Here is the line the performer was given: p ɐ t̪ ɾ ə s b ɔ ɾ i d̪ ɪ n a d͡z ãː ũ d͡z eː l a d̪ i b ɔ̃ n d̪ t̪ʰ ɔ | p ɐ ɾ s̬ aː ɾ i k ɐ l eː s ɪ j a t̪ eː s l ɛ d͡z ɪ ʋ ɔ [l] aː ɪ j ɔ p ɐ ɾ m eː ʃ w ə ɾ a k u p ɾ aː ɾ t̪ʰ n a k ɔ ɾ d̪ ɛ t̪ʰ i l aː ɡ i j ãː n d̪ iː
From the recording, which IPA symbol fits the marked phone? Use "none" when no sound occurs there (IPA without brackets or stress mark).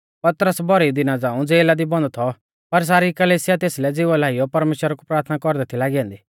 l